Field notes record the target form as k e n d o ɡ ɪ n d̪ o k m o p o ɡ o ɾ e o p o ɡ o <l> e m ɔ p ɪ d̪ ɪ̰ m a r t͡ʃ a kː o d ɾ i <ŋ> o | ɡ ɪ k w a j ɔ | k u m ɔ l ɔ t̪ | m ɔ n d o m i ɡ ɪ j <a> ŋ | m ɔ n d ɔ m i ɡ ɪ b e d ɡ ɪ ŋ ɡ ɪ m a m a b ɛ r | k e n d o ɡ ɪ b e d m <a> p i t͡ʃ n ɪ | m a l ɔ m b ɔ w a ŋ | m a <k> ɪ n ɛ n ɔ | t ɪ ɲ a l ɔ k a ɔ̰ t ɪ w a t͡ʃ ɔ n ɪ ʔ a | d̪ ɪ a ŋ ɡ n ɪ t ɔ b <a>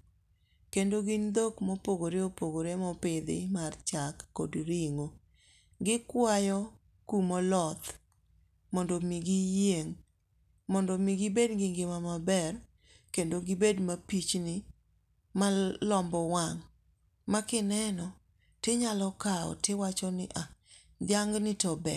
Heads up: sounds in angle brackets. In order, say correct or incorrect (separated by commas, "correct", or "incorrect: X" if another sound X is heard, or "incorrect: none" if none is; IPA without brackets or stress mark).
incorrect: ɾ, correct, incorrect: e, correct, correct, incorrect: ɛ